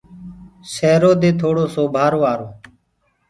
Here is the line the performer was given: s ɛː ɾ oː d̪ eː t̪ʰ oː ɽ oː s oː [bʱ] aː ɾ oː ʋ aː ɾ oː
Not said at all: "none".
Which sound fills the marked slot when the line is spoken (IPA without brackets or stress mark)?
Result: bʱ